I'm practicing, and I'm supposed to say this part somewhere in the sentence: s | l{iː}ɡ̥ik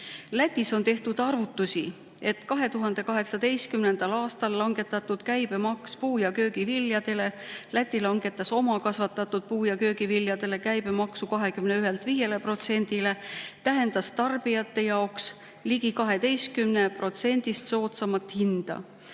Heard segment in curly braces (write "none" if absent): i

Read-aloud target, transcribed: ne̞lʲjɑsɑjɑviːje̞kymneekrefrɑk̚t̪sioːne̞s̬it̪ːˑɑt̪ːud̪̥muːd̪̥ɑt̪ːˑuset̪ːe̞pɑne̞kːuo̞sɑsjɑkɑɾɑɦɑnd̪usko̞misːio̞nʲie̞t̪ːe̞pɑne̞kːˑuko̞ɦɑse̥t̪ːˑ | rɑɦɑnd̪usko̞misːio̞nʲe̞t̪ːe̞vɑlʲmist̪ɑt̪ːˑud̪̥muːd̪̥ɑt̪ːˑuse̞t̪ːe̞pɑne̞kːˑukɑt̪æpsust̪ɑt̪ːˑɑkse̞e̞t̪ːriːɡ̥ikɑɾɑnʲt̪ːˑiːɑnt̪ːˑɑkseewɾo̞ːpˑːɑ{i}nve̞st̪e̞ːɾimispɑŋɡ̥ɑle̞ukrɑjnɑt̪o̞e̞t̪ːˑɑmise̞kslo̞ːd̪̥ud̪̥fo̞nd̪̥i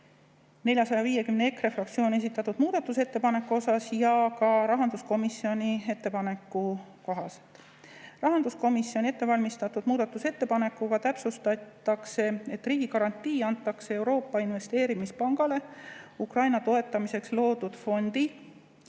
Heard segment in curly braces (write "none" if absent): i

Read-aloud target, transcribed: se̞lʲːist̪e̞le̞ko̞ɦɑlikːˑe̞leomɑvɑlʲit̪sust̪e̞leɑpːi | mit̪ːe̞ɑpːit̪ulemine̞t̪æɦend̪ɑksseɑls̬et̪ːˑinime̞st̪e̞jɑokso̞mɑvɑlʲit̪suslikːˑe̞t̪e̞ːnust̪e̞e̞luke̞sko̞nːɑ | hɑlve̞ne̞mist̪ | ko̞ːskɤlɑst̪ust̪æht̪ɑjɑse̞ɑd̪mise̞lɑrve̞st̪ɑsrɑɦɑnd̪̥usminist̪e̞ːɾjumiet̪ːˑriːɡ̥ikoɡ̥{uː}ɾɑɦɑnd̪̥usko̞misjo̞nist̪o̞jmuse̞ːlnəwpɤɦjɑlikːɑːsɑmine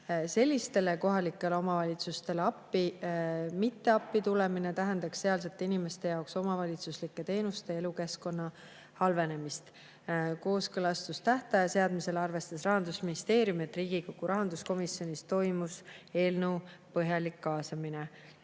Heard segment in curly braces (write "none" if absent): u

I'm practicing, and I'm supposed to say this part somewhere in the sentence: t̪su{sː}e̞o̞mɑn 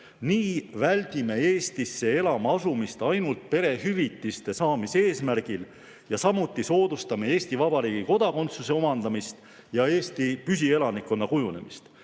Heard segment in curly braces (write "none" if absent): s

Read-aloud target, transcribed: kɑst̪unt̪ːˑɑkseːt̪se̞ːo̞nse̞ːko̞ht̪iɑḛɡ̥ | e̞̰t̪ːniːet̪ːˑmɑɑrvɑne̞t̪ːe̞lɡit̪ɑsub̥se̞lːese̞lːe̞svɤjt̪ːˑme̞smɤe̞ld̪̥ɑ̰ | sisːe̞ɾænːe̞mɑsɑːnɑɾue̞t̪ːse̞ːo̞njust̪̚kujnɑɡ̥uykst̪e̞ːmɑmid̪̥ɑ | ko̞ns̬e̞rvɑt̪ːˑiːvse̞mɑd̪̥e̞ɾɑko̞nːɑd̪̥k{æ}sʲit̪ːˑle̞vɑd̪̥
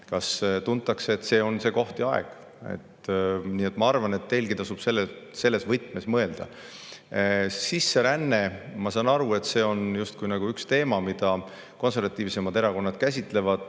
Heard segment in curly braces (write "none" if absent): æ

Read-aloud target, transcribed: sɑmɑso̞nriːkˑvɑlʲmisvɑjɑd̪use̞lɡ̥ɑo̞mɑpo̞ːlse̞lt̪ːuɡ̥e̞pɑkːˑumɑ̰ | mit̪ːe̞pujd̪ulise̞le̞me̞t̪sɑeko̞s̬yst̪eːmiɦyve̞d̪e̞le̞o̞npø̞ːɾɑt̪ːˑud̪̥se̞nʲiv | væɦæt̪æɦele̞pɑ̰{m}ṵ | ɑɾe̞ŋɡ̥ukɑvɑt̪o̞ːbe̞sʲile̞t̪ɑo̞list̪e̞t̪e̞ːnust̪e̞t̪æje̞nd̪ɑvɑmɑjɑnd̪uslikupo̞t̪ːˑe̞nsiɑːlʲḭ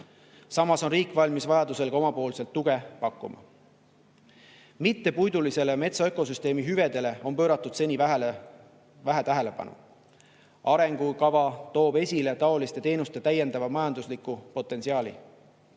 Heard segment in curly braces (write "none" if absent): n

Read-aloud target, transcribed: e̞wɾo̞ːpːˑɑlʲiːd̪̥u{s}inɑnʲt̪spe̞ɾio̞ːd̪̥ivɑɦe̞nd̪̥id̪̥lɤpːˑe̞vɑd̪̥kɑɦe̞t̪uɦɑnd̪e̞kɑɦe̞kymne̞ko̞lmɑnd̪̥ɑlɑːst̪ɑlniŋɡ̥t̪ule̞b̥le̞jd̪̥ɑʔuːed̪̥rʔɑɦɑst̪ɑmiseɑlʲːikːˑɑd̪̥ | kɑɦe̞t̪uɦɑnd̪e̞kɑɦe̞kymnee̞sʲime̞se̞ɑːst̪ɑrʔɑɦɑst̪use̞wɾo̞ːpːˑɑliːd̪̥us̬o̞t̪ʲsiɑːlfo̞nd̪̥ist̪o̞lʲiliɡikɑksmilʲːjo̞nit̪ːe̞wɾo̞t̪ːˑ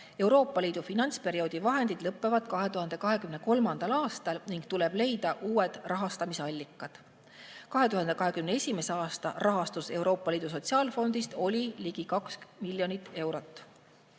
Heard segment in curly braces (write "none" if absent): f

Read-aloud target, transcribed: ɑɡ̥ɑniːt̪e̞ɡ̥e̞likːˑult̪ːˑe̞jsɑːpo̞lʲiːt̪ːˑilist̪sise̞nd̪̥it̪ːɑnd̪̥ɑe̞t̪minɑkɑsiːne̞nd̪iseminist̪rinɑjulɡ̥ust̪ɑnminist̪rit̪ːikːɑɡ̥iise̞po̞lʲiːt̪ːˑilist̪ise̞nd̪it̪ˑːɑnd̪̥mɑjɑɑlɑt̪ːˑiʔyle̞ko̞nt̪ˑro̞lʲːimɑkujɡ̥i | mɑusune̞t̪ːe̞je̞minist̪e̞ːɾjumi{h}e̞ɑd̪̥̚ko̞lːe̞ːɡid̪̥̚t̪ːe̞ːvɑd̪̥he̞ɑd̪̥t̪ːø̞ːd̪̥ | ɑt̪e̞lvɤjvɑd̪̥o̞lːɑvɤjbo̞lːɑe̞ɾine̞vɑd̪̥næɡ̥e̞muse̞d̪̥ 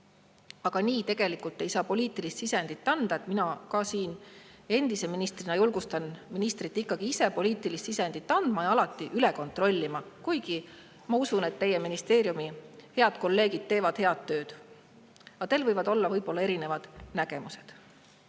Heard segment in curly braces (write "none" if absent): h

